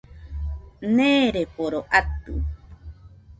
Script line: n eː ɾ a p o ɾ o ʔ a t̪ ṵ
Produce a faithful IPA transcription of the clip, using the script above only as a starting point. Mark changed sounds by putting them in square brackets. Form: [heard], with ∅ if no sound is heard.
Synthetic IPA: n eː ɾ [e] p o ɾ o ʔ a t̪ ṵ